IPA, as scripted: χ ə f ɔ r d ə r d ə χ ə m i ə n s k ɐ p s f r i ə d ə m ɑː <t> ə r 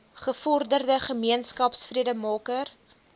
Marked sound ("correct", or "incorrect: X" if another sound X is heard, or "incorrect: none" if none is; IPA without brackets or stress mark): incorrect: k